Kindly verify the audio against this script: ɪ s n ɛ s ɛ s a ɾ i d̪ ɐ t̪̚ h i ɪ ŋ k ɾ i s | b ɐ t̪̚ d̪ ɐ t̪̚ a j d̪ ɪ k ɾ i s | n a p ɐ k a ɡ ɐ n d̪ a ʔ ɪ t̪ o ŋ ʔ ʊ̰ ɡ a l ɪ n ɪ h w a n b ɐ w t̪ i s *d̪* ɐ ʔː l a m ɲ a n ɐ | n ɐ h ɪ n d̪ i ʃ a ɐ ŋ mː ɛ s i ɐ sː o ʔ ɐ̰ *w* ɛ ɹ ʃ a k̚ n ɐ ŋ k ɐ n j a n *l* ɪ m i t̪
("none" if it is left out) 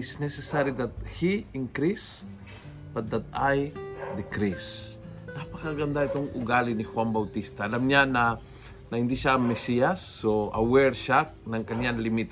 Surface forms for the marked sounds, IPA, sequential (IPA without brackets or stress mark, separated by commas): t̪, w, l